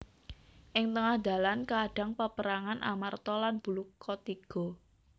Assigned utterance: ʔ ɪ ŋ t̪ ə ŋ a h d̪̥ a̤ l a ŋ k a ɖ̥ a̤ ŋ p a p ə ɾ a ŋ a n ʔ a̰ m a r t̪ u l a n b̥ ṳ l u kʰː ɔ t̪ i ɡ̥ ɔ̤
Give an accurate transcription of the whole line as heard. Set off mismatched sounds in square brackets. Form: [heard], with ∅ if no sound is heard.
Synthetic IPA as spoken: ʔ ɪ ŋ t̪ ə ŋ a h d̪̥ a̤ l a [n] k a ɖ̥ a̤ ŋ p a p ə ɾ a ŋ a n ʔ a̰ m a r t̪ [ɔ] l a n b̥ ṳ l u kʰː ɔ t̪ i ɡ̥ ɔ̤